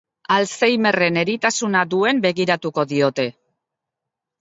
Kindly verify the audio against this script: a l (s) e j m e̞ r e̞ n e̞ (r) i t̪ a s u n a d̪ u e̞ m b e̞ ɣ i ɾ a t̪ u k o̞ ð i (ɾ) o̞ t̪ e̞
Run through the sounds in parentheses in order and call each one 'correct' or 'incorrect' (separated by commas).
correct, incorrect, incorrect